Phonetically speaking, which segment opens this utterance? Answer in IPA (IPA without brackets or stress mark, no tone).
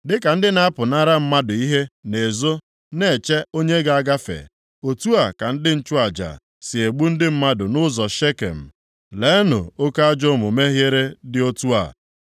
d